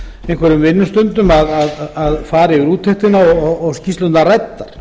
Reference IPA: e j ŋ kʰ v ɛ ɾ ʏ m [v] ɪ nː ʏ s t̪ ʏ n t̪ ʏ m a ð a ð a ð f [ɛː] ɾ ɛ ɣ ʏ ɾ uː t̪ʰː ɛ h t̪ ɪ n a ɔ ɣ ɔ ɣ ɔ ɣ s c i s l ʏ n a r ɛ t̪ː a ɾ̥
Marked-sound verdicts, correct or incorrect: correct, incorrect: aː

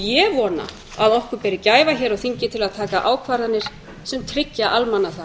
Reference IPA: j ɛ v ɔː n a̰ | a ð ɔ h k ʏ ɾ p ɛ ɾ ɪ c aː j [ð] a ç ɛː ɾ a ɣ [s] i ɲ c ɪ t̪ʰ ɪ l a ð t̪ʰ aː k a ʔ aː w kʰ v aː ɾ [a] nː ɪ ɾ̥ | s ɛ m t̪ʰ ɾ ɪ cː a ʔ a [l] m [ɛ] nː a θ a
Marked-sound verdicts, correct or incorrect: incorrect: v, incorrect: θ, correct, correct, incorrect: a

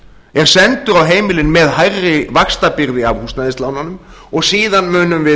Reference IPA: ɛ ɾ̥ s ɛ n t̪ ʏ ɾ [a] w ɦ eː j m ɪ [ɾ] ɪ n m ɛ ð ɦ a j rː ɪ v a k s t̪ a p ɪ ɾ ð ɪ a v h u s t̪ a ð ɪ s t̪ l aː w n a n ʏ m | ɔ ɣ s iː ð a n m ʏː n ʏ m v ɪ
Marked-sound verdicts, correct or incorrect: correct, incorrect: l

